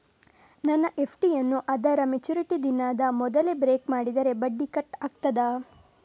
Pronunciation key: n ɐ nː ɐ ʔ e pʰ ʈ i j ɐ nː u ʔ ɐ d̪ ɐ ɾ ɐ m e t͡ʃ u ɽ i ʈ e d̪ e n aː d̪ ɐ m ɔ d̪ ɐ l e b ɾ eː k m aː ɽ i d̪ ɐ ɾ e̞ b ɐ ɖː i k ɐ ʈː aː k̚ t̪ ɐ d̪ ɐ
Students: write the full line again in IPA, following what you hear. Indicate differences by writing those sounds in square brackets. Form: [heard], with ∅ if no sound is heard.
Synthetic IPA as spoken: n ɐ nː ɐ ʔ e pʰ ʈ i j ɐ nː u ʔ ɐ d̪ ɐ ɾ ɐ m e t͡ʃ u [ɾ] i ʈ [i] d̪ [i] n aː d̪ ɐ m ɔ d̪ ɐ l e b ɾ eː k m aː ɽ i d̪ ɐ ɾ e̞ b ɐ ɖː i k ɐ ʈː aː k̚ t̪ ɐ d̪ ɐ